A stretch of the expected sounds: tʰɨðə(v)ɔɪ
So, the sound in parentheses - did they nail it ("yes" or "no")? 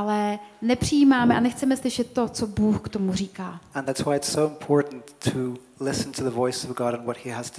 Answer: yes